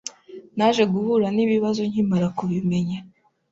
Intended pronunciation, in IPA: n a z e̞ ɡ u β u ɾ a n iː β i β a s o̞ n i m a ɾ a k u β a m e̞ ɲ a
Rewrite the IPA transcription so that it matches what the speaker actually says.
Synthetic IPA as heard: n a ʒ e̞ ɡ u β u ɾ a n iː β i β a z o̞ ɲ i m a ɾ a k u β i m e̞ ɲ a